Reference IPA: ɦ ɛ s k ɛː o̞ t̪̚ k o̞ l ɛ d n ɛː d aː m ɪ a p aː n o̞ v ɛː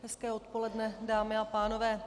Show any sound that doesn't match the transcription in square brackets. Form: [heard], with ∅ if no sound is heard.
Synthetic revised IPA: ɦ ɛ s k ɛː o̞ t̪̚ [p] o̞ l ɛ d n [ɛ] d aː m ɪ a p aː n o̞ v ɛː

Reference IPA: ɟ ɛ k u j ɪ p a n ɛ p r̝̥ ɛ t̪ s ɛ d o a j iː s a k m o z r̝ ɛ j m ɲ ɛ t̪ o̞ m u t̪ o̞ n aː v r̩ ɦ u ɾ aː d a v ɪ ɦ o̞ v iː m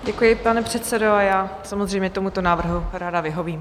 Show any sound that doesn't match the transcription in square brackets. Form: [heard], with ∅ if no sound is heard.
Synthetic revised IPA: ɟ ɛ k u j ɪ p a n ɛ p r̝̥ ɛ t̪ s ɛ d o a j [aː] s a [∅] m o z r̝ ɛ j m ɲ ɛ t̪ o̞ m u t̪ o̞ n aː v r̩ ɦ u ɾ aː d a v ɪ ɦ o̞ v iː m

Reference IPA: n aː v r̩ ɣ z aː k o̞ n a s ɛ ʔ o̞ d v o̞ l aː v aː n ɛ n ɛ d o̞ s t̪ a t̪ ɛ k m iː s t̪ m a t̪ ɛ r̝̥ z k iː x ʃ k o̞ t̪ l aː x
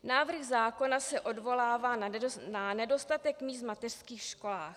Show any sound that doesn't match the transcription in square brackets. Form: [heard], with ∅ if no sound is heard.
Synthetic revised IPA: n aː v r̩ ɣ z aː k o̞ n a s ɛ ʔ o̞ d v o̞ l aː v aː n [a] n ɛ d o̞ s t̪ a t̪ ɛ k m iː s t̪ m a t̪ ɛ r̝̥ [s] k iː x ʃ k o̞ [∅] l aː x

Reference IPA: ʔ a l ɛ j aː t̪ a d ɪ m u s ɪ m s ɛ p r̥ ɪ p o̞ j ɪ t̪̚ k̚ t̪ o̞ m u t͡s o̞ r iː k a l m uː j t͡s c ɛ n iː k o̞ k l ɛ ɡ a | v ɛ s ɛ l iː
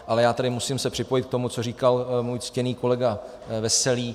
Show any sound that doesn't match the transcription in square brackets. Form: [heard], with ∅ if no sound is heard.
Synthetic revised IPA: ʔ a l ɛ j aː t̪ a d ɪ m u s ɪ m s ɛ p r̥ ɪ p o̞ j ɪ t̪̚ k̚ t̪ o̞ m u t͡s o̞ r iː k a l m uː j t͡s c ɛ n iː k o̞ [∅] l ɛ ɡ a | v ɛ s ɛ l iː

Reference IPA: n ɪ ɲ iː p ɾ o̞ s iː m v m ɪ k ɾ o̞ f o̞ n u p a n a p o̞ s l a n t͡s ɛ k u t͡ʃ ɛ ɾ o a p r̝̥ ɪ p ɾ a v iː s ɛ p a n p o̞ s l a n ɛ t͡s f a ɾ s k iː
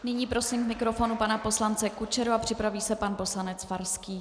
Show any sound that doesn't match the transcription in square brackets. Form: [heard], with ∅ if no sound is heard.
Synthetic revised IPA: n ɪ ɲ iː p ɾ o̞ s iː m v m ɪ k ɾ o̞ f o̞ n u p a n a p o̞ s l a n t͡s ɛ k u t͡ʃ ɛ ɾ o a p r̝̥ ɪ p ɾ a v iː s ɛ p a n p o̞ s l a n ɛ t͡s f a ɾ s k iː

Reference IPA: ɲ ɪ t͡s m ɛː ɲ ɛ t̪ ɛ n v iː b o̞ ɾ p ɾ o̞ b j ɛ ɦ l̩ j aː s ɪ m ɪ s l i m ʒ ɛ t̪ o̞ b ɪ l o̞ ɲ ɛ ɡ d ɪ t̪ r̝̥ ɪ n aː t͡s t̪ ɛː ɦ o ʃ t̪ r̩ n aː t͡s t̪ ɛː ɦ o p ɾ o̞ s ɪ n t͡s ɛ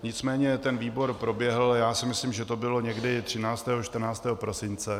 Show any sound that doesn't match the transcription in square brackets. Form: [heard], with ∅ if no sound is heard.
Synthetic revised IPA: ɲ ɪ t͡s m ɛː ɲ ɛ t̪ ɛ n v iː b o̞ ɾ p ɾ o̞ b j ɛ ɦ l̩ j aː s ɪ m ɪ s l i m ʒ ɛ t̪ o̞ b ɪ l o̞ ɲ ɛ ɡ d ɪ t̪ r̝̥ ɪ n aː t͡s t̪ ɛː ɦ o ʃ t̪ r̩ n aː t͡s t̪ ɛː ɦ o p ɾ o̞ s ɪ n t͡s ɛ

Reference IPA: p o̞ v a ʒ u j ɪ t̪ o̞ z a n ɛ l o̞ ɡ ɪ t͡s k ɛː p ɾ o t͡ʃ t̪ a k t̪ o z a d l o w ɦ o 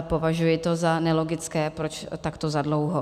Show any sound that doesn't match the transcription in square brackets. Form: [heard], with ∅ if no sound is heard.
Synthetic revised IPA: p o̞ v a ʒ u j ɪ t̪ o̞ z a n ɛ l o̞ ɡ ɪ t͡s k ɛː p ɾ o t͡ʃ t̪ a k t̪ o z a d l o w ɦ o

